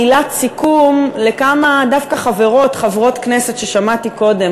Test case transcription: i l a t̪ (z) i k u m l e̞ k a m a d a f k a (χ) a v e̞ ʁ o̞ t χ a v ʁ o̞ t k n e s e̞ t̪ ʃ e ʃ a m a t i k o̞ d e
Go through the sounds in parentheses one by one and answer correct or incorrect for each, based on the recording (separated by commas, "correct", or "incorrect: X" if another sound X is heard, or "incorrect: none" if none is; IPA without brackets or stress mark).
incorrect: s, correct